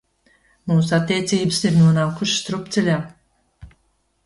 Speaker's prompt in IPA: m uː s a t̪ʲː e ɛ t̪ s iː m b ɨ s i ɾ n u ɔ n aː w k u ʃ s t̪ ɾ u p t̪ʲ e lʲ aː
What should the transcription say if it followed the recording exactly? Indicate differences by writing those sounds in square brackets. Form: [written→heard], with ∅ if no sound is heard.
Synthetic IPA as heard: m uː s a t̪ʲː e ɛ t̪ s iː [m→∅] b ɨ s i ɾ n u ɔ n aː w k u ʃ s t̪ ɾ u p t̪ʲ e lʲ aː